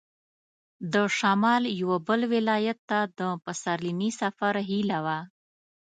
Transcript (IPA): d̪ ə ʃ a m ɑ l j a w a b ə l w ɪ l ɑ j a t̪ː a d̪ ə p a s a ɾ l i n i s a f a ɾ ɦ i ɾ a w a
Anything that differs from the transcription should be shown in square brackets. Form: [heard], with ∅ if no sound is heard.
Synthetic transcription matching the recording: d̪ ə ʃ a m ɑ l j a w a b ə l w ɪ l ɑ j a t̪ː a d̪ ə p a s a ɾ l i n i s a f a ɾ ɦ i [l] a w a